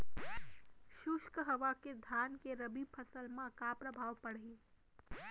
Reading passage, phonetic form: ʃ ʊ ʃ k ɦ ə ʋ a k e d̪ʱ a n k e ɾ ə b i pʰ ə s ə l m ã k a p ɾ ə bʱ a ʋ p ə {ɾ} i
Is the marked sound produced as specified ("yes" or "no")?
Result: no